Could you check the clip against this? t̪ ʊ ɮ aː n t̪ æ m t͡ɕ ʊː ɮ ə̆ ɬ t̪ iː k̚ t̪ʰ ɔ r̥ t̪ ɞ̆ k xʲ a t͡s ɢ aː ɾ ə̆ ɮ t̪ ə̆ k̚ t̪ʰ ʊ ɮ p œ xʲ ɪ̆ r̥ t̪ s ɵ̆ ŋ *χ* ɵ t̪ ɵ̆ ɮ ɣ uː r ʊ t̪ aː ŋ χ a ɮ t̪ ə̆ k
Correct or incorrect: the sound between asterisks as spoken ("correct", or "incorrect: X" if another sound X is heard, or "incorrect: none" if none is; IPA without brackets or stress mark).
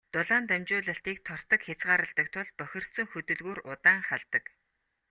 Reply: incorrect: x